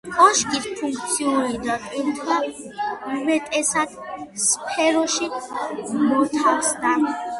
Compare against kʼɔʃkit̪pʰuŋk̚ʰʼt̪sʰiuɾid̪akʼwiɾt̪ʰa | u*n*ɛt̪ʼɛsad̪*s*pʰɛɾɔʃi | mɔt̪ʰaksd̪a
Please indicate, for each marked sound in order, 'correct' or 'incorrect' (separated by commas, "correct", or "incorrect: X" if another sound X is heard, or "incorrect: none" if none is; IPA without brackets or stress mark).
incorrect: m, correct